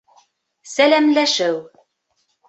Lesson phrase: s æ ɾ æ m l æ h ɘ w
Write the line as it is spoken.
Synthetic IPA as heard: s æ l æ m l æ ʃ ɘ w